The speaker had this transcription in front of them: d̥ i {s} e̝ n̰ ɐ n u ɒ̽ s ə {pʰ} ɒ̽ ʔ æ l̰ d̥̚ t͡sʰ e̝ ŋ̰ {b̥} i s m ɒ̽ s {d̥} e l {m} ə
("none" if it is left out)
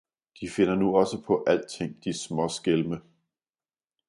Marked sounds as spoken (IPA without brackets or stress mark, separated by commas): f, pʰ, d̥, ɡ̥, m